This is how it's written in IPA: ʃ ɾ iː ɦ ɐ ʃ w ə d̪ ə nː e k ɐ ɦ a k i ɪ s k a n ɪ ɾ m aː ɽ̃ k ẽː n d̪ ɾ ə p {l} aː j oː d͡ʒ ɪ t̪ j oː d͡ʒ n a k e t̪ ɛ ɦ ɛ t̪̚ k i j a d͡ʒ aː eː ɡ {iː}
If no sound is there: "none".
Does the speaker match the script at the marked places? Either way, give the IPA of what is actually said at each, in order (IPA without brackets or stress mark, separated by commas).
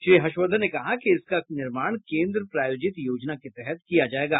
ɾ, aː